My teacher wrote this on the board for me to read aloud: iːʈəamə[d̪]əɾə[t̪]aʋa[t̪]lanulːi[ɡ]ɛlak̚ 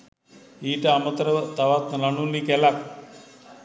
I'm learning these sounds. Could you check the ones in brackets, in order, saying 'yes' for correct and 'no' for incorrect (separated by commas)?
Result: no, yes, yes, no